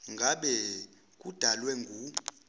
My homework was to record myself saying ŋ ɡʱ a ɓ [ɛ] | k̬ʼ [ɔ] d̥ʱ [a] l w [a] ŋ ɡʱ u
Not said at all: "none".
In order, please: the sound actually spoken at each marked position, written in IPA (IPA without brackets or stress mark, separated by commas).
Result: ɛ, u, a, ɛ